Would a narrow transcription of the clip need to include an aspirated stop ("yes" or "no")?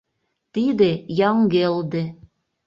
no